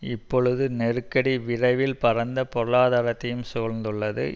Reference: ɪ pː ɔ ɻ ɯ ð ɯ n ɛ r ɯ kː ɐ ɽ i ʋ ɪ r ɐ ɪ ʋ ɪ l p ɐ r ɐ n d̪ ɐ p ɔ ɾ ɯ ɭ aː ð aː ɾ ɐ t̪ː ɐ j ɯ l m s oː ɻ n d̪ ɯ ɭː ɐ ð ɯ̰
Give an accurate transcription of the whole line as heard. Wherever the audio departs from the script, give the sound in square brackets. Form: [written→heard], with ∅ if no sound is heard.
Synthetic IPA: ɪ pː ɔ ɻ ɯ ð ɯ n ɛ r ɯ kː ɐ ɽ i ʋ ɪ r ɐ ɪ ʋ ɪ l p ɐ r ɐ n d̪ ɐ p ɔ ɾ ɯ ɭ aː ð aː ɾ ɐ t̪ː ɐ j ɯ [l→∅] m s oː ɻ n d̪ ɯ ɭː ɐ ð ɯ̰